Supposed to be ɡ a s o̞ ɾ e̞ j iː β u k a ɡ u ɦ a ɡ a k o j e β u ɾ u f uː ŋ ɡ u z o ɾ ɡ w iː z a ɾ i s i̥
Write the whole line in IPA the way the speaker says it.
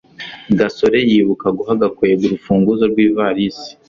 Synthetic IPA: ɡ a s o̞ ɾ e̞ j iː β u k a ɡ u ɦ a ɡ a k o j e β u ɾ u f uː ŋ ɡ u z o ɾ ɡ w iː v a ɾ i s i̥